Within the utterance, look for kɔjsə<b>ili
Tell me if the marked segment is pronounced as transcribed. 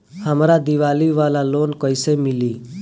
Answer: no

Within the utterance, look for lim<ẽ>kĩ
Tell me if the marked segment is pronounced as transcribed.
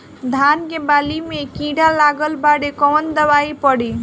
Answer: no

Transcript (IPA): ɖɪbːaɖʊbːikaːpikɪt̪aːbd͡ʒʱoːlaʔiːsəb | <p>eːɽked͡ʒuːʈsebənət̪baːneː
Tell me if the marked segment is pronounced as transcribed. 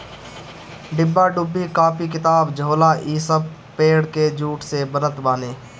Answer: yes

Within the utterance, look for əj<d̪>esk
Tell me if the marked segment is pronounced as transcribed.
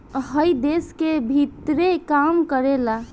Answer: yes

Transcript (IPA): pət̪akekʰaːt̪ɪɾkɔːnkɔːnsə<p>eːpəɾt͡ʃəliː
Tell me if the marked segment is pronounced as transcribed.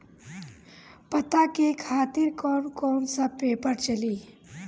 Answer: yes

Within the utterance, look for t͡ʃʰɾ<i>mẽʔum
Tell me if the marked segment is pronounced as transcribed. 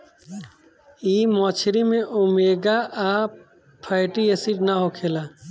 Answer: yes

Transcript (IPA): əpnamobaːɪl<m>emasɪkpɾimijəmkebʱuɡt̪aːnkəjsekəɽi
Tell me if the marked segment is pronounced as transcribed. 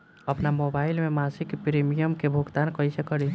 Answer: yes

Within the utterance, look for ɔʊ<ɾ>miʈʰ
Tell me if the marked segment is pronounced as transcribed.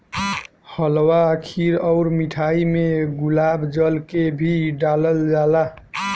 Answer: yes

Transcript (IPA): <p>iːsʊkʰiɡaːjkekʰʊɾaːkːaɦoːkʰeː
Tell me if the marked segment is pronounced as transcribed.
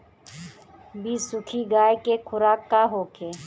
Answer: no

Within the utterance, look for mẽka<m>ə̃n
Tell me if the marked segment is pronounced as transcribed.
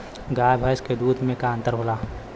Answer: no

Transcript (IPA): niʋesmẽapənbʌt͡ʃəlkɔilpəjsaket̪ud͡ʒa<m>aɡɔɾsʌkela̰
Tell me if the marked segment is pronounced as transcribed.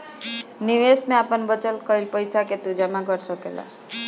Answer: yes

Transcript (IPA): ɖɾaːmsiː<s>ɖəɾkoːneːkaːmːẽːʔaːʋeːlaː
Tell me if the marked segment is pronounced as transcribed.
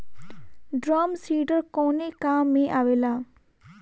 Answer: no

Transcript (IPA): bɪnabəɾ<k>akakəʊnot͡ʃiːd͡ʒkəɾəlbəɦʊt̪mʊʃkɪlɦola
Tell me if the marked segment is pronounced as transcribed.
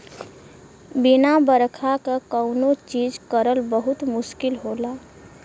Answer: no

